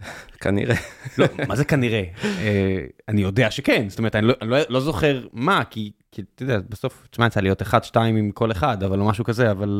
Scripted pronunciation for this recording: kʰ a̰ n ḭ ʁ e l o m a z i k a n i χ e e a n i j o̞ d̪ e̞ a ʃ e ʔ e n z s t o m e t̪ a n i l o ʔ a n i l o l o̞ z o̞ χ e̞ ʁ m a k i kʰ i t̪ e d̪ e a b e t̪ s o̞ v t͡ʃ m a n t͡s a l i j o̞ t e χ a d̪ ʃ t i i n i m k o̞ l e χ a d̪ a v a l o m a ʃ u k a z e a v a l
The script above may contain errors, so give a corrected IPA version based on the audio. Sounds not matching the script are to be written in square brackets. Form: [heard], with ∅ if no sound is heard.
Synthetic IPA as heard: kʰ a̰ n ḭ ʁ e l o m a z [e] k a n i [ʁ] e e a n i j o̞ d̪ e̞ a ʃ e [k] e n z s t o m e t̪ a n i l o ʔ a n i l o l o̞ z o̞ χ e̞ ʁ m a k i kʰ i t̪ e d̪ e a b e [∅] s o̞ [f] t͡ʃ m a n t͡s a l i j o̞ t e χ a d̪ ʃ t [a] i [m] i m k o̞ l e χ a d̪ a v a l o m a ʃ u k a z e a v a l